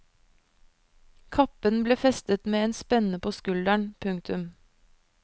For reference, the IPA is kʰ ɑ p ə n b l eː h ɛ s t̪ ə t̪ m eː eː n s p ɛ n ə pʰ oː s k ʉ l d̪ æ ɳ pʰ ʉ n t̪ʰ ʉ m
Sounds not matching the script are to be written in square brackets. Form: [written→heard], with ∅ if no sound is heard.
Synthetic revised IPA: kʰ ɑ p ə n b l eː [h→f] ɛ s t̪ ə t̪ m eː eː n s p ɛ n ə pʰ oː s k ʉ l d̪ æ ɳ pʰ ʉ [n→ŋ] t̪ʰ ʉ m